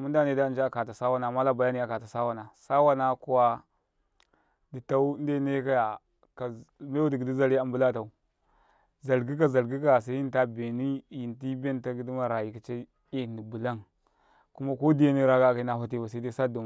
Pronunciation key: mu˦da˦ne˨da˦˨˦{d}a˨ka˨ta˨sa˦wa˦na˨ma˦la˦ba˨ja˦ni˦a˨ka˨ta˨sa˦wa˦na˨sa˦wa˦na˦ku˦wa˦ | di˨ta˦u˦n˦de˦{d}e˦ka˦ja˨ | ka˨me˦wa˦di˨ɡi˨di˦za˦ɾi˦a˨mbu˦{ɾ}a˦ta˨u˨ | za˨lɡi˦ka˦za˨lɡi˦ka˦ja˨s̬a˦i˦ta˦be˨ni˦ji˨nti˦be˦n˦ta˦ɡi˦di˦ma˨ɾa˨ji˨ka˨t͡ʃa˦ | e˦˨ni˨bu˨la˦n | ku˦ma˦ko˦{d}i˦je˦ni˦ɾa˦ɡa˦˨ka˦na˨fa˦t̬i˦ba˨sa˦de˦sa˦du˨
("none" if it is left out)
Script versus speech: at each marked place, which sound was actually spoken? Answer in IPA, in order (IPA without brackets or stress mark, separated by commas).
d͡ʒ, n, l, d